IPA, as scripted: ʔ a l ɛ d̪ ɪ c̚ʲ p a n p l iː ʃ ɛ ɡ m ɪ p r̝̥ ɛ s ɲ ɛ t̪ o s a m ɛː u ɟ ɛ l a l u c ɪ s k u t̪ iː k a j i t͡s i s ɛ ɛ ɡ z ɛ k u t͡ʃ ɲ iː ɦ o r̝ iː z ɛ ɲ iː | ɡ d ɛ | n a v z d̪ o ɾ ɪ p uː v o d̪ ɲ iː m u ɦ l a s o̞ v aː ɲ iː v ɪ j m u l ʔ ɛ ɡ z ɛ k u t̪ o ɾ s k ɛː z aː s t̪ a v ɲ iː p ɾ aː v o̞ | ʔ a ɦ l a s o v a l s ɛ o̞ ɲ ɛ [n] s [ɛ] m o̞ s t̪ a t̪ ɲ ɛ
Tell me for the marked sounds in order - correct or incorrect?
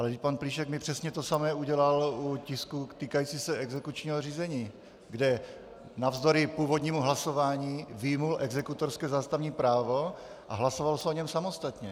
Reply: incorrect, incorrect

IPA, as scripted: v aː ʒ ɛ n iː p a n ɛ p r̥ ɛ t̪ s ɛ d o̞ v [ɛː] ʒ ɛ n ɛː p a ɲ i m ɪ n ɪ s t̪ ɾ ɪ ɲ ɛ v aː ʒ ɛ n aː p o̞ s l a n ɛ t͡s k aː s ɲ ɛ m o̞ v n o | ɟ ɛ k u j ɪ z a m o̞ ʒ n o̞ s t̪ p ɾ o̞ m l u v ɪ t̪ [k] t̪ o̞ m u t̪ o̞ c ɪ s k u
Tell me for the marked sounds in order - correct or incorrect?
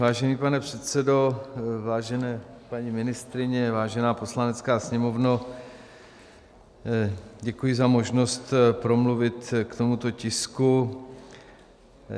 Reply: incorrect, correct

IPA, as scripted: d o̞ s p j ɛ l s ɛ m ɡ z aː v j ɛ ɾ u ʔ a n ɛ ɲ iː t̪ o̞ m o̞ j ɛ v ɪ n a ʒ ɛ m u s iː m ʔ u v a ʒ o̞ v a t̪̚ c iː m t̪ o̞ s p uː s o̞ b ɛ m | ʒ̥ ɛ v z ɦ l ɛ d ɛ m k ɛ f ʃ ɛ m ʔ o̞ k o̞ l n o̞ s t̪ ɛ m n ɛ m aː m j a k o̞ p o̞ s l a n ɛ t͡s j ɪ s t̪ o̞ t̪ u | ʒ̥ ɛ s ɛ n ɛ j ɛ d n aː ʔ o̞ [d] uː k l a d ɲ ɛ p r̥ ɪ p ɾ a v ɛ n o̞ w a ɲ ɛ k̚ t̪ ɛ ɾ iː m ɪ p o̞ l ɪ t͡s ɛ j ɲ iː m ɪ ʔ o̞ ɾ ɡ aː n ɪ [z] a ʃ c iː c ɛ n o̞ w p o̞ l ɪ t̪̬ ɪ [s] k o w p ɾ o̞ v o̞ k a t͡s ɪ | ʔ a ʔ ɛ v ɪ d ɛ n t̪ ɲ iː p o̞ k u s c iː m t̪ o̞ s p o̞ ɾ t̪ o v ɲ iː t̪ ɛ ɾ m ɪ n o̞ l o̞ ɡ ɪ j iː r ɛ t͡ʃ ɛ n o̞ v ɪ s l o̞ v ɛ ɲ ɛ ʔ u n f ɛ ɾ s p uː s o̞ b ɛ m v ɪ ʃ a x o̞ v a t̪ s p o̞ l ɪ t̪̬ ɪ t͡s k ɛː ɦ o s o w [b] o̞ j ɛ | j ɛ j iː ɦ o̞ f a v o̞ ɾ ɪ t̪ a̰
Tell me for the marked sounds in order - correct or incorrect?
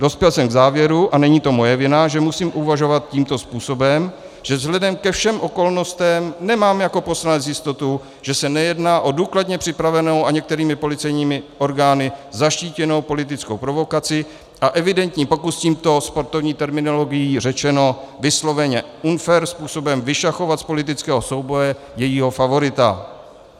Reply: correct, correct, incorrect, correct

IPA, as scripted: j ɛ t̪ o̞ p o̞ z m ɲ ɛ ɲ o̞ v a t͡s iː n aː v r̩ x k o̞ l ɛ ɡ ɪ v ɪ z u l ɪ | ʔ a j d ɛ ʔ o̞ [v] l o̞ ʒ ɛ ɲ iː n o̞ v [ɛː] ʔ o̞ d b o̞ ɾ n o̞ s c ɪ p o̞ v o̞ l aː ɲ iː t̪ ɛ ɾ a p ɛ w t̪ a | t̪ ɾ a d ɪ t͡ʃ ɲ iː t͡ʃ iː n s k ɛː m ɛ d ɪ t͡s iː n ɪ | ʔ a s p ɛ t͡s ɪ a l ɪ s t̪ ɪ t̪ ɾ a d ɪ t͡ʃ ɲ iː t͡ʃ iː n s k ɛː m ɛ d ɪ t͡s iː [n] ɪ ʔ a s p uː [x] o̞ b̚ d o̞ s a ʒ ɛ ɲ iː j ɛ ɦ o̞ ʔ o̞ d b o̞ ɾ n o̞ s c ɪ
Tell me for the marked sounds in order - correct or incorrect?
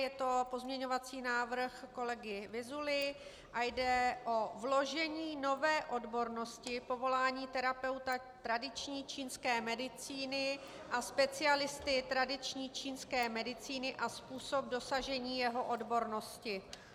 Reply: correct, correct, correct, incorrect

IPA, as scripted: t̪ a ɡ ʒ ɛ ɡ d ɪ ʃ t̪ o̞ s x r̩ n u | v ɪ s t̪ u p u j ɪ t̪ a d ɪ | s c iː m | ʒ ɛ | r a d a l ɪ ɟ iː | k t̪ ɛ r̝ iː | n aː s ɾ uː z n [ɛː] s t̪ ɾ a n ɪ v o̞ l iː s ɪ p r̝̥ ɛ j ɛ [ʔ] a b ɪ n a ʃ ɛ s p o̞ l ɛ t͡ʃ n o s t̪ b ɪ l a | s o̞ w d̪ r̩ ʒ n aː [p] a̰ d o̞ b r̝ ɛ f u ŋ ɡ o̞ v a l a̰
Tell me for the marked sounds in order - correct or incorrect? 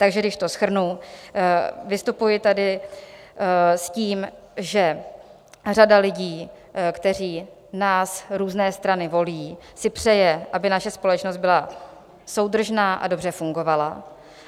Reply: correct, correct, incorrect

